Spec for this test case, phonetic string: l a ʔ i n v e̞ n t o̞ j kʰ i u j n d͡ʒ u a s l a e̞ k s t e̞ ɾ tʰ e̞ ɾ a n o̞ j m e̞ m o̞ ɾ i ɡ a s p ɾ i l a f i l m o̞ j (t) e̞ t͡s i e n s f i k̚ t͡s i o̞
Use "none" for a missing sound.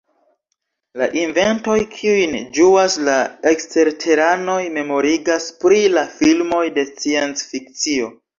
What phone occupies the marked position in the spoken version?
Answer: d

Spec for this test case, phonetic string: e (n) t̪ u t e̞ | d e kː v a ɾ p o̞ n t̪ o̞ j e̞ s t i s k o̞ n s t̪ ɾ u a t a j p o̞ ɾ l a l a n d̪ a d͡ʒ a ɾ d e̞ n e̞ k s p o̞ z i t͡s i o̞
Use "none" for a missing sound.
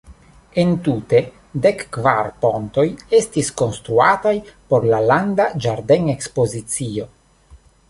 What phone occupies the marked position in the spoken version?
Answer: n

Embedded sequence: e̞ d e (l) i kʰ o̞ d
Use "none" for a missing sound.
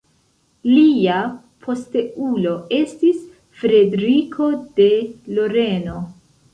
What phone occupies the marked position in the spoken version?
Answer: ɾ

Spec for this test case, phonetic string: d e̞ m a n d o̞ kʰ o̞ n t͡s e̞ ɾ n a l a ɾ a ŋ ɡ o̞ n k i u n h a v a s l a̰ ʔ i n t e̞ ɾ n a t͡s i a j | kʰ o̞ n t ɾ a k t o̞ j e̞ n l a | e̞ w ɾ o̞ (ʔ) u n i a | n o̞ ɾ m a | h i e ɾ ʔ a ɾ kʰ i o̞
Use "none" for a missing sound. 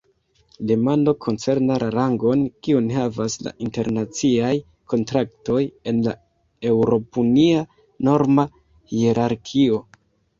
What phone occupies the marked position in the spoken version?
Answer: p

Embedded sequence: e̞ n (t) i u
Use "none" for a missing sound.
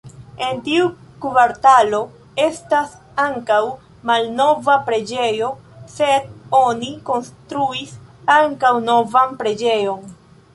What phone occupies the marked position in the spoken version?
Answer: t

